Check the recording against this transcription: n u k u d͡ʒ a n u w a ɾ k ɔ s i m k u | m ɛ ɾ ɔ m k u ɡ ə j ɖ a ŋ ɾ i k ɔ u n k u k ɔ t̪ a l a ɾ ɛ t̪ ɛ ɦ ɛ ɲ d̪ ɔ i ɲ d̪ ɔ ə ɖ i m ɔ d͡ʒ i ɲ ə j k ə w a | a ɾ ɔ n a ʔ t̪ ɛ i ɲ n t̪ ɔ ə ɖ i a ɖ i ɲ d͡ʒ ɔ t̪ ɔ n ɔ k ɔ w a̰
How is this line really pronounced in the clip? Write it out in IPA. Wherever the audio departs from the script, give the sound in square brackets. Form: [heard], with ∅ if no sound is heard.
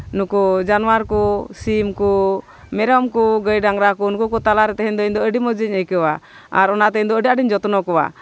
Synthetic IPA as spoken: n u k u d͡ʒ a n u w a ɾ k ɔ s i m k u | m ɛ ɾ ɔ m k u ɡ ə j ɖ a ŋ ɾ [a] k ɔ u n k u k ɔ t̪ a l a ɾ ɛ t̪ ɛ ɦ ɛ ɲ d̪ ɔ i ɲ d̪ ɔ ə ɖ i m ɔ d͡ʒ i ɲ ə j k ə w a | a ɾ ɔ n a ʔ t̪ ɛ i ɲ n [d̪] ɔ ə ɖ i a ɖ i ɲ d͡ʒ ɔ t̪ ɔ n ɔ k ɔ w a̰